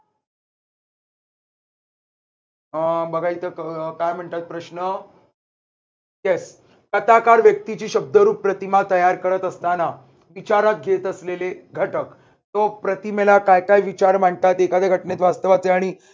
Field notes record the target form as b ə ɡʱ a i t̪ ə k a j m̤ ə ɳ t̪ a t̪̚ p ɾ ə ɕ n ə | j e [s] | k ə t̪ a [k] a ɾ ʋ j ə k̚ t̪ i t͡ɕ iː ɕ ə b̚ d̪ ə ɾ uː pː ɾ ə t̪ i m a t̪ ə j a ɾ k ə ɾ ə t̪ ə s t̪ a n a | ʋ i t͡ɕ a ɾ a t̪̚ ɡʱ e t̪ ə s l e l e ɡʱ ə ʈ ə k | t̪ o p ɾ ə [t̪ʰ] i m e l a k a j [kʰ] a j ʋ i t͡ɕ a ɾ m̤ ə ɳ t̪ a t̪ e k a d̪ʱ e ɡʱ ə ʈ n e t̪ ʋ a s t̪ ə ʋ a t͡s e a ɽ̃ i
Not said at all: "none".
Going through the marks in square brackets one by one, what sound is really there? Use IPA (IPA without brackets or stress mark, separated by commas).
s, k, t̪, k